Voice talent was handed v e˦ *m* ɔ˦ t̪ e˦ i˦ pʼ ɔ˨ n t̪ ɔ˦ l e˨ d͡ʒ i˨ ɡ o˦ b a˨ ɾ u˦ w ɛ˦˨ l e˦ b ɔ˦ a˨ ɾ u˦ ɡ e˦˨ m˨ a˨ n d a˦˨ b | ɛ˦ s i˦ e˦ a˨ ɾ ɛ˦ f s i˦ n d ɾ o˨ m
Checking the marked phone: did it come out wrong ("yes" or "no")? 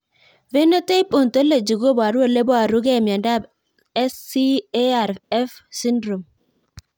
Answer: yes